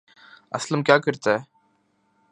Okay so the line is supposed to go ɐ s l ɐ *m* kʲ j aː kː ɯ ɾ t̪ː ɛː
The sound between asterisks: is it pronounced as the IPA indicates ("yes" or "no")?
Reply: yes